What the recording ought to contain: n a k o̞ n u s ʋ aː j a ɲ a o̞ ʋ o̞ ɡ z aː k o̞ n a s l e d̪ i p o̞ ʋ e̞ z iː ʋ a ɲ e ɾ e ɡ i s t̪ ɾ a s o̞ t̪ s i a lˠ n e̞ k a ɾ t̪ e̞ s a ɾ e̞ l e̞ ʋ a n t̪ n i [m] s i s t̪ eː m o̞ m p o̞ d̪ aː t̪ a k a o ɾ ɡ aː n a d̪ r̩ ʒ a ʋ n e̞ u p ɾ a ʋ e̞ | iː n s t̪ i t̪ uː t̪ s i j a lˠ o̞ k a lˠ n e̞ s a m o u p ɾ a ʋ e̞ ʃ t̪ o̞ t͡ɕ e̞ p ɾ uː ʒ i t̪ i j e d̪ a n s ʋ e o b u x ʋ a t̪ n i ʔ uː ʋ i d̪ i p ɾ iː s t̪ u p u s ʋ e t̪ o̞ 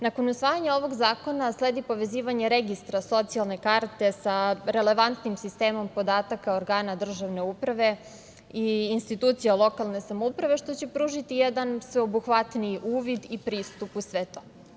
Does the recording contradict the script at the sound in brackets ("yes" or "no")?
no